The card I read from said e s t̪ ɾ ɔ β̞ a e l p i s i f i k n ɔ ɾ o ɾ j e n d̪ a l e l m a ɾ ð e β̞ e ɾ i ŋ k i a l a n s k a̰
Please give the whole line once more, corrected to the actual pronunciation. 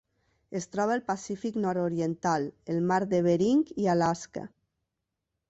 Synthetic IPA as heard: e s t̪ ɾ ɔ β̞ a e l p a s i f i k n ɔ ɾ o ɾ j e n t̪ a l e l m a ɾ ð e β̞ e ɾ i ŋ k i a l a s k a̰